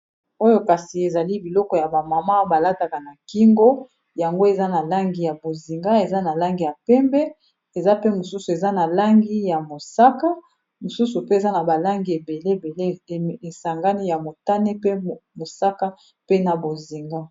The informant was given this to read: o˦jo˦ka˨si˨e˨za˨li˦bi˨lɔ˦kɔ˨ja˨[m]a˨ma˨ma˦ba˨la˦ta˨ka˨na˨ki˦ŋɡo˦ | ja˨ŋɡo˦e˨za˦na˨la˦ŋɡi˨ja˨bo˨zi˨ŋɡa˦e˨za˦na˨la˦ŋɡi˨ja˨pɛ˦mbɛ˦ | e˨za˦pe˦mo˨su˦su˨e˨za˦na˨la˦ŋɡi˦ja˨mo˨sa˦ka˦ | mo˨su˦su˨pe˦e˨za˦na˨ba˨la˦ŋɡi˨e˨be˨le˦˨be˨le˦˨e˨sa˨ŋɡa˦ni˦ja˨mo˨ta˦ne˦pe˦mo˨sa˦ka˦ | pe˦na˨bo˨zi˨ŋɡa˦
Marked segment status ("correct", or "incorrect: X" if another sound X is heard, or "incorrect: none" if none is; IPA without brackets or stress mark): incorrect: b